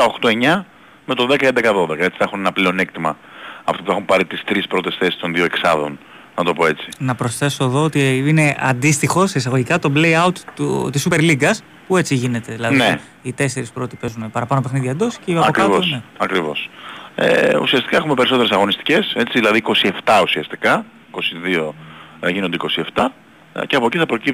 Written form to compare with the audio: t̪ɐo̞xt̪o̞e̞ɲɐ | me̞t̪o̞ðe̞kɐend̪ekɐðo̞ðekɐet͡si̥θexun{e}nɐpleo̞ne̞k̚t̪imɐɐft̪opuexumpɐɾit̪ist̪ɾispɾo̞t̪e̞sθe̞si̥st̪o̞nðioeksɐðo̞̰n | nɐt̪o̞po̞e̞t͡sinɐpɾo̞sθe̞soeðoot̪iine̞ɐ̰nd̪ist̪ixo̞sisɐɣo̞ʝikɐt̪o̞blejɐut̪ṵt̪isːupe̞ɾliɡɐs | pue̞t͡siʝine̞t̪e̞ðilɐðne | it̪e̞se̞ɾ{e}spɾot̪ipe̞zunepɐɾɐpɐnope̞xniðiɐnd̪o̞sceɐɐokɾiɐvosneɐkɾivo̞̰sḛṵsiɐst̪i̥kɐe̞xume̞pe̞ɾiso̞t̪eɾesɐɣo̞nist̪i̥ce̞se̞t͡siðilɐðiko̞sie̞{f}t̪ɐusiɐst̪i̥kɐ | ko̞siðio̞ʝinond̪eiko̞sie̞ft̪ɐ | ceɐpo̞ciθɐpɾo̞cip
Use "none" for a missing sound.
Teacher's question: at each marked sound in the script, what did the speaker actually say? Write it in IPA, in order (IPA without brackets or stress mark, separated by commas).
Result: e, i, f